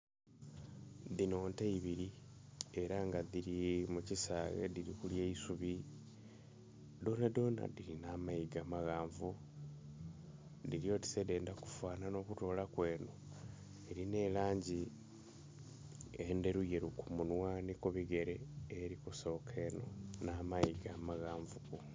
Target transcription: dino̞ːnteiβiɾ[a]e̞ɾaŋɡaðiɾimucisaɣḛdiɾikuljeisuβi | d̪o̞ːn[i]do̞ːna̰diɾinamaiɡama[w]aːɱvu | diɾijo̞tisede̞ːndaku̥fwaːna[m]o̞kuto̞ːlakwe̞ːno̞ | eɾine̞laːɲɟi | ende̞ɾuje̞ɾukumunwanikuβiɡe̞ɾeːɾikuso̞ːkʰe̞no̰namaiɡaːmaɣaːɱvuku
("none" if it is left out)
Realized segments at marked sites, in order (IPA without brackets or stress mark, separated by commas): i, a, ɣ, n